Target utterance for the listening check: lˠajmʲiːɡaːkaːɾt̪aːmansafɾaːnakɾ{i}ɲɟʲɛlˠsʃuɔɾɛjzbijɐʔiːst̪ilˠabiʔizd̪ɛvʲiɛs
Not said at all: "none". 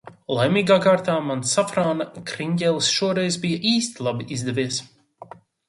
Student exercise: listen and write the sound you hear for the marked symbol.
i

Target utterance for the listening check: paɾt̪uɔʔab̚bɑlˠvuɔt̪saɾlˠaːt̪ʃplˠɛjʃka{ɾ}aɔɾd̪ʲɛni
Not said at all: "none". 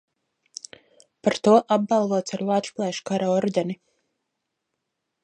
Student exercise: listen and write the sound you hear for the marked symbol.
ɾ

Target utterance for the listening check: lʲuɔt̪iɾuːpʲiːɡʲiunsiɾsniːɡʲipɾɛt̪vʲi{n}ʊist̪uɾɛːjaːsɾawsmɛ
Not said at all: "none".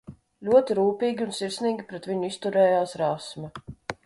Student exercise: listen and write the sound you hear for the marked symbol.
ɲ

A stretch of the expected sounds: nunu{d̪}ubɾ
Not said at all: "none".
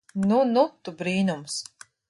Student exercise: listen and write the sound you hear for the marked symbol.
t̪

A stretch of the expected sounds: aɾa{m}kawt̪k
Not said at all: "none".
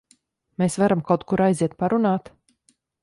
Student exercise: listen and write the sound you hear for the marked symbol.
m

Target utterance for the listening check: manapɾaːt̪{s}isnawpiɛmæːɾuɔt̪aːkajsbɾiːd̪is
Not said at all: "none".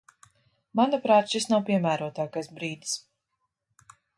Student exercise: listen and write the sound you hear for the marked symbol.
ʃ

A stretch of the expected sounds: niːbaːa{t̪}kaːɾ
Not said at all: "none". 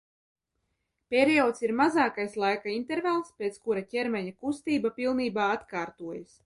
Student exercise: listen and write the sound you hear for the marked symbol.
t̪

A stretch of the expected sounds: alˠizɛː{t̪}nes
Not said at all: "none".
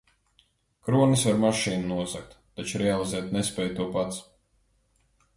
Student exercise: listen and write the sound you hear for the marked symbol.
t̪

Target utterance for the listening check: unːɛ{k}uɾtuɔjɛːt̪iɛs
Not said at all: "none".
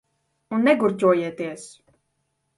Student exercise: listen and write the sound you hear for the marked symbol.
ɡ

